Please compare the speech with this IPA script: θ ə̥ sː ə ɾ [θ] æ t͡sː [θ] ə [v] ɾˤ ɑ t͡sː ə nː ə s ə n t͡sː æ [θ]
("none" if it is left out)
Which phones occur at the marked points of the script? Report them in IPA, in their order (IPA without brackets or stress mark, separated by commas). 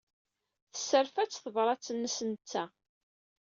f, θ, v, none